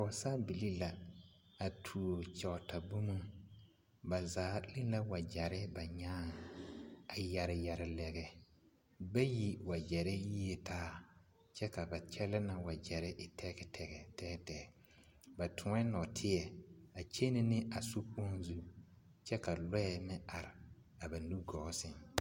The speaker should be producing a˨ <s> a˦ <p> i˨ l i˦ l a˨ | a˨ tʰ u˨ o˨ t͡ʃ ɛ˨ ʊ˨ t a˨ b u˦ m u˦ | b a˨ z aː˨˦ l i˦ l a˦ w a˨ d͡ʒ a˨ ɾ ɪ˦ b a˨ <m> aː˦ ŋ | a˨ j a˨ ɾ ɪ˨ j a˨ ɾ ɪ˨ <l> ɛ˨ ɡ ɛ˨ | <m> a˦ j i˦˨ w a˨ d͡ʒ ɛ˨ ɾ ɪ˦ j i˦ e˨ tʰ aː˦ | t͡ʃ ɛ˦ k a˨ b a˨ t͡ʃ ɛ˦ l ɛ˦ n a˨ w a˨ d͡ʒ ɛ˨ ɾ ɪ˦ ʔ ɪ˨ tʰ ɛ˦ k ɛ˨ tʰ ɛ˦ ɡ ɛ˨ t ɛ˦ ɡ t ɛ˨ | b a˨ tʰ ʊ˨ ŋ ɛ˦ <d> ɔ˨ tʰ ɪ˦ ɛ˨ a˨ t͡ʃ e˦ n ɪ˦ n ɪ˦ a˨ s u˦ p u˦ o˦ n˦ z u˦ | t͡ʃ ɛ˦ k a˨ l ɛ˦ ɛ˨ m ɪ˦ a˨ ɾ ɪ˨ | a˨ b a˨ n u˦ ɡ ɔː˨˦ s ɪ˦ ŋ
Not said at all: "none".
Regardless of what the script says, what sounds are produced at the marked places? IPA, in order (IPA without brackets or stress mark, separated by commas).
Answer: s, b, ɲ, l, b, n